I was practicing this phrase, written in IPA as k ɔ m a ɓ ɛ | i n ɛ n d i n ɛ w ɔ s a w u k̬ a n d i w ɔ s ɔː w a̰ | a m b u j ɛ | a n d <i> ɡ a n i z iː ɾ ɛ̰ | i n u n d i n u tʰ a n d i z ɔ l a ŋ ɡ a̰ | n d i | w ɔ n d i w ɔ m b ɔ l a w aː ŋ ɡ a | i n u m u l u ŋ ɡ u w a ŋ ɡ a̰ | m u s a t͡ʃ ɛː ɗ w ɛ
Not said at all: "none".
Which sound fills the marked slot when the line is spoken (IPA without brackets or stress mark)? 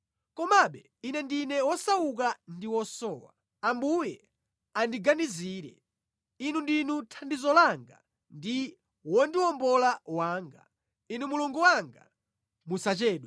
i